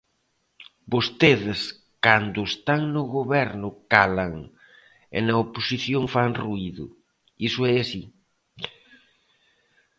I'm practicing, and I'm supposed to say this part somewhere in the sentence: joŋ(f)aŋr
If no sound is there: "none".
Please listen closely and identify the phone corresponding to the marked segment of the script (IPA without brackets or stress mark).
f